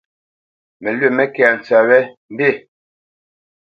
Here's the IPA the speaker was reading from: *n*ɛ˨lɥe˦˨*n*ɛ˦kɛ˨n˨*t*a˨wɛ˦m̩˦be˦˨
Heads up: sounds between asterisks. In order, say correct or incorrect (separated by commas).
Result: incorrect, incorrect, incorrect